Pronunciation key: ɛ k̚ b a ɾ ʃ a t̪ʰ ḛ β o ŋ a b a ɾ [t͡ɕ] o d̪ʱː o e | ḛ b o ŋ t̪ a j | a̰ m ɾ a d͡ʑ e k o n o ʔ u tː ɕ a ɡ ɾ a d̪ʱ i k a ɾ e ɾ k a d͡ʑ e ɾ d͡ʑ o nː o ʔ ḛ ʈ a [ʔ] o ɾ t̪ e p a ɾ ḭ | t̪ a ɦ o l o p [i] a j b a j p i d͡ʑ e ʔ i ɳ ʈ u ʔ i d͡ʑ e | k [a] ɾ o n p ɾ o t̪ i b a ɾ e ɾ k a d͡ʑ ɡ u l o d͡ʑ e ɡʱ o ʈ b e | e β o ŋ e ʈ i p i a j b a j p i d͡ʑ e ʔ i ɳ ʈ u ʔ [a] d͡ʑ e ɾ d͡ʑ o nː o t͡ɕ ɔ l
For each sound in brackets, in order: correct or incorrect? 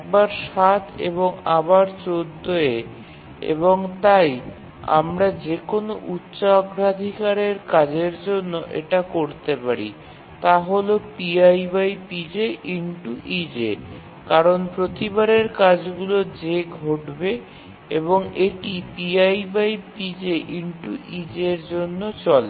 correct, incorrect, correct, correct, incorrect

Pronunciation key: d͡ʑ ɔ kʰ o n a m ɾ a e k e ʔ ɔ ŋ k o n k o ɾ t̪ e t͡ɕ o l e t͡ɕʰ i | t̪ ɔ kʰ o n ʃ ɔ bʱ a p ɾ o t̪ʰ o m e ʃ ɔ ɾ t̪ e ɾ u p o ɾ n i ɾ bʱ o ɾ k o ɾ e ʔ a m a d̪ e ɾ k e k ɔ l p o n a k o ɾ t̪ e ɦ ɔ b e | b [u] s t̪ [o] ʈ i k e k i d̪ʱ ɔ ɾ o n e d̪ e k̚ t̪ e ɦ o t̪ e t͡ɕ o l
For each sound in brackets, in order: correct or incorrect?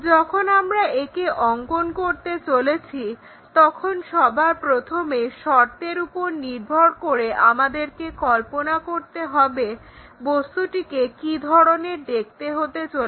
incorrect, incorrect

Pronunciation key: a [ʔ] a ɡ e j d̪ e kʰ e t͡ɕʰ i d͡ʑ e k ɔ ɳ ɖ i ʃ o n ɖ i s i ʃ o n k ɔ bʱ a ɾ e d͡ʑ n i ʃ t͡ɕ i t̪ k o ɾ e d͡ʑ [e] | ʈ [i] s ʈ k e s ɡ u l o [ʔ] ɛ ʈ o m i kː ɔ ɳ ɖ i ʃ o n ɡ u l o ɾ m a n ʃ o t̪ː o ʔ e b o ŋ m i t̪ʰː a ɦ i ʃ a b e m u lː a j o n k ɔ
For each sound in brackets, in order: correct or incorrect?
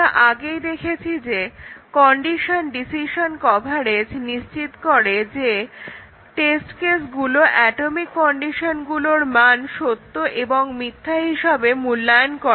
correct, correct, incorrect, correct

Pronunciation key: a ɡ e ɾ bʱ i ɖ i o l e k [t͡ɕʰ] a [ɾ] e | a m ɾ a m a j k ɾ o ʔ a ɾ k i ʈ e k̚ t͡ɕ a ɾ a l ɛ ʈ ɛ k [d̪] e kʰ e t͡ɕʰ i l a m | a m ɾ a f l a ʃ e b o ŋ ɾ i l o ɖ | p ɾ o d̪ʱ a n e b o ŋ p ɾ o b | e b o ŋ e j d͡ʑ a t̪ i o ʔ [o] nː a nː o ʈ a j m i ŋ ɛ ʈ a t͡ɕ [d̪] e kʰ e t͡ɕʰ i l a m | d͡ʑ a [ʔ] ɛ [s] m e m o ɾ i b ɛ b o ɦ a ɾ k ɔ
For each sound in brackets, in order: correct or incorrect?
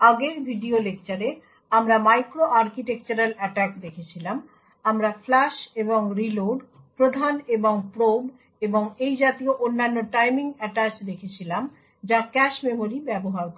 incorrect, correct, correct, correct, correct, incorrect, incorrect

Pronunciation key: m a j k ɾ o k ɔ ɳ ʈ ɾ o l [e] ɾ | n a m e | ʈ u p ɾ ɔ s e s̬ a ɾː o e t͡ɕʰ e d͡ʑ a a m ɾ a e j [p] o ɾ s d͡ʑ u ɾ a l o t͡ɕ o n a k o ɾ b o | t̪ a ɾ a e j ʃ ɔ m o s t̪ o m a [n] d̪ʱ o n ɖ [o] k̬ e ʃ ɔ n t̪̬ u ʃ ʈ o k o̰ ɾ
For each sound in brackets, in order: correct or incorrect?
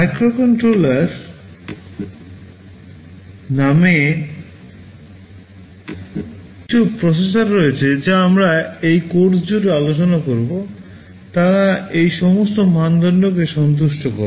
incorrect, incorrect, correct, correct

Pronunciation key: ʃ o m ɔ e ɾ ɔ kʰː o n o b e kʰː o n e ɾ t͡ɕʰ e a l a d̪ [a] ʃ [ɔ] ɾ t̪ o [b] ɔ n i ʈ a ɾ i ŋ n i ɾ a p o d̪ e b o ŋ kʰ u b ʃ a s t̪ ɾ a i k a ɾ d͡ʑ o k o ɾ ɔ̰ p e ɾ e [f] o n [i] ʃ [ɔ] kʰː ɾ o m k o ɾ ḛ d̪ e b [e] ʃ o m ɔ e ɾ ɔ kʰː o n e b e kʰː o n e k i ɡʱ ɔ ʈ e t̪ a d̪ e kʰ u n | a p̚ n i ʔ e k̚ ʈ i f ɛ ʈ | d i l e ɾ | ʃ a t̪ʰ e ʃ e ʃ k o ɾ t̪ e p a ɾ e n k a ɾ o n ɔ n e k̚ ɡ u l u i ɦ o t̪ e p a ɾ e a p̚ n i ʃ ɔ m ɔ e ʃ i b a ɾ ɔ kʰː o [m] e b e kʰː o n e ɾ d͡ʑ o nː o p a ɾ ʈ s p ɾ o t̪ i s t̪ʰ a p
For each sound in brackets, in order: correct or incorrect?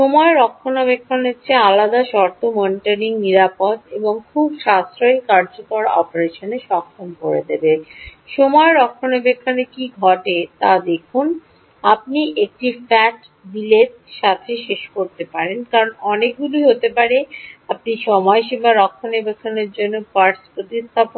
correct, correct, incorrect, incorrect, incorrect, correct, correct, incorrect

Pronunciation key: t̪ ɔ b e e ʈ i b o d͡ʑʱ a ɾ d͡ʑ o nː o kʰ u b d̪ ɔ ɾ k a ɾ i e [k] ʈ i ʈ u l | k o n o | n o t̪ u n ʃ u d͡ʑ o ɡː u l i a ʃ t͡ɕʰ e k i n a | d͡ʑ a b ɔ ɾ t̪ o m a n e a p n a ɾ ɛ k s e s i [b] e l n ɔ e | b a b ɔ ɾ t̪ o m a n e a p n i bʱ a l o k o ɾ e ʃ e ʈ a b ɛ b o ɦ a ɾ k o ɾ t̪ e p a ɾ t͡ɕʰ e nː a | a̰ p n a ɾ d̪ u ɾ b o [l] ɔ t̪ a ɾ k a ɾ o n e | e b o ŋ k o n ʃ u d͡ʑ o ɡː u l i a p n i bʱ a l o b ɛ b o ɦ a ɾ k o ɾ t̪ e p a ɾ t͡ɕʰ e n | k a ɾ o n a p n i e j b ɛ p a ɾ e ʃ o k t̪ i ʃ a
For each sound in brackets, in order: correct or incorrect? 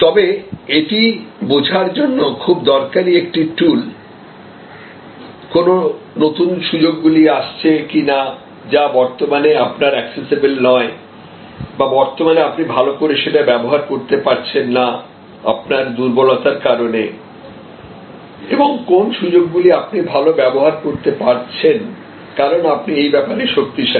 correct, correct, correct

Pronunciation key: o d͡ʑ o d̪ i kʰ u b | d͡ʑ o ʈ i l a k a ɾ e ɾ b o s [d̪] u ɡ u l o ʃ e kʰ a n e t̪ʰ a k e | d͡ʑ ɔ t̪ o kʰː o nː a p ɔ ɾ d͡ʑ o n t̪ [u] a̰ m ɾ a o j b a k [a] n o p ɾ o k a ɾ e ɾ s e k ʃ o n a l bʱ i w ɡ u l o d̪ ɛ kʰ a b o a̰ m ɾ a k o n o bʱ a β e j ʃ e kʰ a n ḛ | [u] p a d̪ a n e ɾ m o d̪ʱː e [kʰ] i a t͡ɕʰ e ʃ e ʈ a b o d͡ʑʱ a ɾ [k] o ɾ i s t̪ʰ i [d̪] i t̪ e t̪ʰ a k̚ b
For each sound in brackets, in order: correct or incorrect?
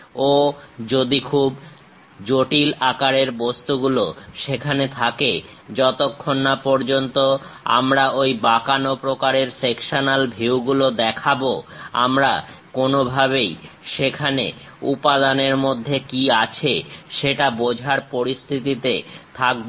incorrect, incorrect, correct, correct, incorrect, incorrect, incorrect

